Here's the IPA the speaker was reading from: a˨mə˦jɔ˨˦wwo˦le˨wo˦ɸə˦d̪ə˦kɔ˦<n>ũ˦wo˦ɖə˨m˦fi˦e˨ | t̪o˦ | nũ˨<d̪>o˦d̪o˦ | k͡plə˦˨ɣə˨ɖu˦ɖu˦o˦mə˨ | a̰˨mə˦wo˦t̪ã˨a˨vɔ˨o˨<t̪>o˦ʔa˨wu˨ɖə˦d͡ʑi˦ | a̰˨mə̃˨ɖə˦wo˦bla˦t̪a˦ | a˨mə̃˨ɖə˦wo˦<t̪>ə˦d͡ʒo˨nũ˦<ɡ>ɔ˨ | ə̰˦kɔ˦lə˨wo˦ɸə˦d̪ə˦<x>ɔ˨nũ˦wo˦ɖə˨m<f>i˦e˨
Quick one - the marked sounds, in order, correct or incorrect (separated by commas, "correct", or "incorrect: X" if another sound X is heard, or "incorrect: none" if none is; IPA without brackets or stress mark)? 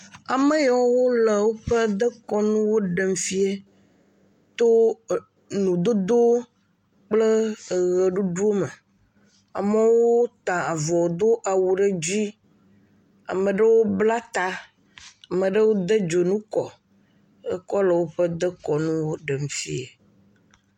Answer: correct, correct, incorrect: d̪, incorrect: d̪, incorrect: k, incorrect: k, correct